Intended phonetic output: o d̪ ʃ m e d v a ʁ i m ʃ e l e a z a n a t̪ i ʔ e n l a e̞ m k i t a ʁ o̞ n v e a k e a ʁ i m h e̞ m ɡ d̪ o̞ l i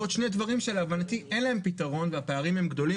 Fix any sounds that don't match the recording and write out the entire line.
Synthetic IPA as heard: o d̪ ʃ n e d v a ʁ i m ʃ e l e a v a n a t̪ i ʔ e n l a e̞ m p i t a ʁ o̞ n v e a p e a ʁ i m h e̞ m ɡ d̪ o̞ l i